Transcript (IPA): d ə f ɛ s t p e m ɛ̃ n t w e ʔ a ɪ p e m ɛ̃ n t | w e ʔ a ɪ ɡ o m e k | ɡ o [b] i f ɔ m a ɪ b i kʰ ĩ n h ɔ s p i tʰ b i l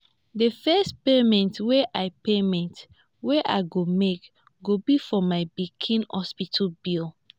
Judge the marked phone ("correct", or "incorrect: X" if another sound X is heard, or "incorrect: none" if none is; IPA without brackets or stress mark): correct